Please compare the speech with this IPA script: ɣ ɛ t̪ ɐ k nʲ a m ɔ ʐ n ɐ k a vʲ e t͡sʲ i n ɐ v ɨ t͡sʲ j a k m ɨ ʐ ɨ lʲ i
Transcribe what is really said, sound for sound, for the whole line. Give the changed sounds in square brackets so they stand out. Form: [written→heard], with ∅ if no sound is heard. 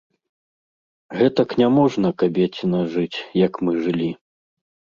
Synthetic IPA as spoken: ɣ ɛ t̪ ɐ k nʲ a m ɔ ʐ n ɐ k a [vʲ→bʲ] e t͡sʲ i n ɐ [v→ʐ] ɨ t͡sʲ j [a→ɐ] k m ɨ ʐ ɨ lʲ i